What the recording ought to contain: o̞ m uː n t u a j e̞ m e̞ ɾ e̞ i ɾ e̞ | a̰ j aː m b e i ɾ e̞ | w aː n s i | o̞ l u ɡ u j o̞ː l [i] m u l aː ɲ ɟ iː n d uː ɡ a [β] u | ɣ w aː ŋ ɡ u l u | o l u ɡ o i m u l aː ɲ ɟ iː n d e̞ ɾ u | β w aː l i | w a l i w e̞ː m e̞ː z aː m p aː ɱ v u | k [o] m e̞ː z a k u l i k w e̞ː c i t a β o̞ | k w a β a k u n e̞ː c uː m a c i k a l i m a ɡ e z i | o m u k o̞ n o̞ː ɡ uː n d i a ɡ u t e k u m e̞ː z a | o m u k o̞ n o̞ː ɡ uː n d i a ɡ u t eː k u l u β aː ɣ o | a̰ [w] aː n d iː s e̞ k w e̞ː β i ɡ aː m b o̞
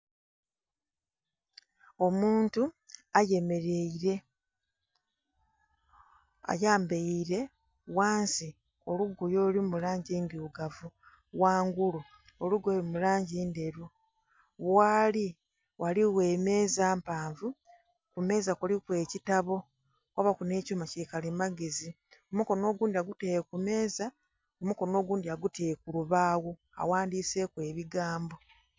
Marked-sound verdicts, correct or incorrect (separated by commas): correct, incorrect, incorrect, correct